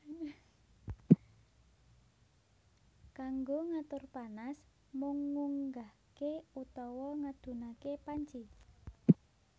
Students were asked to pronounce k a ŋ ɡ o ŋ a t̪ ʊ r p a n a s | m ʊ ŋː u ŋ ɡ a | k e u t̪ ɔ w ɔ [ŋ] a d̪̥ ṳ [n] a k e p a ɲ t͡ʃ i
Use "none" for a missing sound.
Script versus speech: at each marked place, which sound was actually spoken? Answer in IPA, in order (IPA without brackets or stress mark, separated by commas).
ŋ, n